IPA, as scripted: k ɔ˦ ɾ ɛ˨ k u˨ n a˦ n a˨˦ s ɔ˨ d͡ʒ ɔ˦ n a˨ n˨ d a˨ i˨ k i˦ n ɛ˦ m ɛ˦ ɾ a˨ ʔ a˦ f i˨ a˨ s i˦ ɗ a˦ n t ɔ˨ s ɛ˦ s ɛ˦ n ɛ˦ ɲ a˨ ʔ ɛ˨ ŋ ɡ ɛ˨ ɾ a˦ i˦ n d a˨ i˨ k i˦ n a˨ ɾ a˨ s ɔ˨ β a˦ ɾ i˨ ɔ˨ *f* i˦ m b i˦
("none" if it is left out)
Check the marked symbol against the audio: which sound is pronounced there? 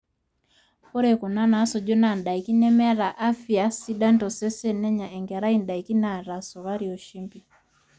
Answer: ʃ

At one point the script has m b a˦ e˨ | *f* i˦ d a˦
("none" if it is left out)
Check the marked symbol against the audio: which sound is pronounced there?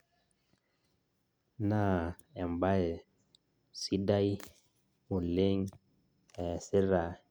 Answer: s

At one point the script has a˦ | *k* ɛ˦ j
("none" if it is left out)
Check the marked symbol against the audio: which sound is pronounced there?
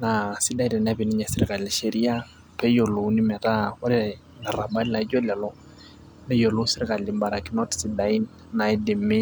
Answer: p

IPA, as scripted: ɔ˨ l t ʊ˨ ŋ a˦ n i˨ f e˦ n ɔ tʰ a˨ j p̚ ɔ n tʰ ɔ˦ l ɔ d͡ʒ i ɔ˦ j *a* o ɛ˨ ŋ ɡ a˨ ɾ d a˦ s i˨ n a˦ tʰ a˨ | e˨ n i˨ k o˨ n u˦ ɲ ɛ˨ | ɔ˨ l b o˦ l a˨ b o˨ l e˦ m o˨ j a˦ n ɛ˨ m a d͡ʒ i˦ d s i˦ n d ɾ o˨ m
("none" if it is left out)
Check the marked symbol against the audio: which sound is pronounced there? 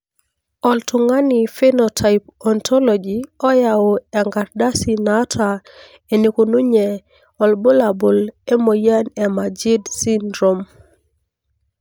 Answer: a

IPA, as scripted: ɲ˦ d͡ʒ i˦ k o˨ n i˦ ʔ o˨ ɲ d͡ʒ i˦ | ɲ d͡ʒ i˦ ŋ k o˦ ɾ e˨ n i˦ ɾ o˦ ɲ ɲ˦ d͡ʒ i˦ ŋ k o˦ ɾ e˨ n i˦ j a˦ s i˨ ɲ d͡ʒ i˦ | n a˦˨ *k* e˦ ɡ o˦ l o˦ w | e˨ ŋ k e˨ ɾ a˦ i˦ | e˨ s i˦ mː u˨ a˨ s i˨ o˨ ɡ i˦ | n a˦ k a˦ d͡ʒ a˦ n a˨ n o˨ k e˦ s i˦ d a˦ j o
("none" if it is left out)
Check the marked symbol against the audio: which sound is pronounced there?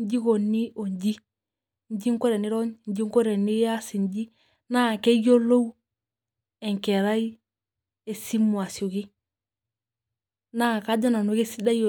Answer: k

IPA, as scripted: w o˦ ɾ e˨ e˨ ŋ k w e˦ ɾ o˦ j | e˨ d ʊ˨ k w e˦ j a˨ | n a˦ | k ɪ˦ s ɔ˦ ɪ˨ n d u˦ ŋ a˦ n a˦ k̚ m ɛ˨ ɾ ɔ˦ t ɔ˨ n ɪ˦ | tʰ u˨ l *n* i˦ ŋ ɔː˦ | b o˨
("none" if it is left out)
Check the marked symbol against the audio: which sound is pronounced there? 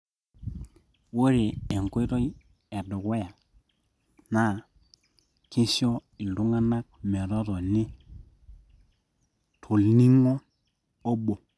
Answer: n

